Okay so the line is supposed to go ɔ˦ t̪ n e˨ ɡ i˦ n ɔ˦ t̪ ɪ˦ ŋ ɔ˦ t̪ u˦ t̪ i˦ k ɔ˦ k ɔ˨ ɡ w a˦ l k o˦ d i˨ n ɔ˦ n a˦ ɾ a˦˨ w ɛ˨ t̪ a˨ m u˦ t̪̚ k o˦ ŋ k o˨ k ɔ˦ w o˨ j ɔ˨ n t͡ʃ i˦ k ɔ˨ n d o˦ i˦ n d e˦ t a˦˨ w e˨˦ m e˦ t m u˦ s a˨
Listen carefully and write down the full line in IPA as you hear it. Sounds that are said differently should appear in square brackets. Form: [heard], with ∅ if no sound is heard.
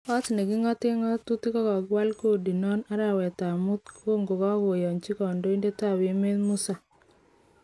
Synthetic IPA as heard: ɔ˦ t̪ n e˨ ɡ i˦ [ŋ] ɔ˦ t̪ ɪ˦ ŋ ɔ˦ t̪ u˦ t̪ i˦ k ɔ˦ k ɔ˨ ɡ w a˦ l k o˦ d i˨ n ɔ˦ n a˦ ɾ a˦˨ w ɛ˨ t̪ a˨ m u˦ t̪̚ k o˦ ŋ [ɡ] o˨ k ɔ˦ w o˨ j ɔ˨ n t͡ʃ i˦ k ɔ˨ n d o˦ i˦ n d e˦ t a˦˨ w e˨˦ m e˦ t m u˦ s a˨